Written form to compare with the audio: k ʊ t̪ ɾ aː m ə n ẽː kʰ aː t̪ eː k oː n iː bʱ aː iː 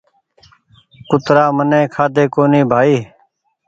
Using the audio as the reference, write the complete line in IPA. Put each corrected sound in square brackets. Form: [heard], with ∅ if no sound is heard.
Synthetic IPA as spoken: k ʊ t̪ ɾ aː m ə n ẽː kʰ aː [d̪] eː k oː n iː bʱ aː iː